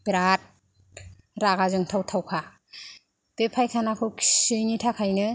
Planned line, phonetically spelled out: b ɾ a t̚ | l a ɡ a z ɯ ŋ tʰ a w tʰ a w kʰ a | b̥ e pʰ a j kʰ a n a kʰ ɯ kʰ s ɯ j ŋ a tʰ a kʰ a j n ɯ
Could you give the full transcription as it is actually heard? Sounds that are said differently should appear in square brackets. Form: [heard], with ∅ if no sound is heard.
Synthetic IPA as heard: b ɾ a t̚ | [ɾ] a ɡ a z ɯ ŋ tʰ a w tʰ a w kʰ a | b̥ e pʰ a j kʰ a n a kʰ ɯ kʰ s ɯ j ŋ [i] tʰ a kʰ a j n ɯ